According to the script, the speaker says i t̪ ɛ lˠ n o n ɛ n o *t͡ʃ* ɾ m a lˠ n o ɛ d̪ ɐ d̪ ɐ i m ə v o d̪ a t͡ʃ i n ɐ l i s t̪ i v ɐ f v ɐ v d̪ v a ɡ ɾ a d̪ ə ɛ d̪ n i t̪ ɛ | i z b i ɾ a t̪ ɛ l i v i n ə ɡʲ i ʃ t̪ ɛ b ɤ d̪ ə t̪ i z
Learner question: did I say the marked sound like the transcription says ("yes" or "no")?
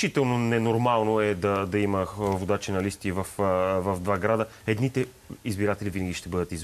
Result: no